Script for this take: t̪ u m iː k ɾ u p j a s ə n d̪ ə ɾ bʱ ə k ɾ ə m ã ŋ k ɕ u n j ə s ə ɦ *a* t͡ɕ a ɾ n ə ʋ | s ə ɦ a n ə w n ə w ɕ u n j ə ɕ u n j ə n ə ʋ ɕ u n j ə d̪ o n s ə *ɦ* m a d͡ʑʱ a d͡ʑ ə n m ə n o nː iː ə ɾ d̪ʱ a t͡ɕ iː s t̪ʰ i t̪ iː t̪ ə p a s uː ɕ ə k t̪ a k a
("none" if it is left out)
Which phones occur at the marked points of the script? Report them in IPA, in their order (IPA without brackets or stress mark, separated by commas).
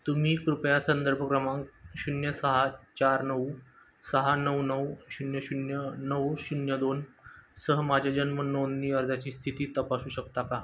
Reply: a, ɦ